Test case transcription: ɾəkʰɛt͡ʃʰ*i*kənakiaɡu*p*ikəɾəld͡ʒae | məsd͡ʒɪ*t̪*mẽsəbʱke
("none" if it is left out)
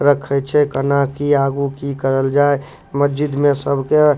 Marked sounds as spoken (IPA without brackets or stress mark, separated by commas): ɛ, k, d̪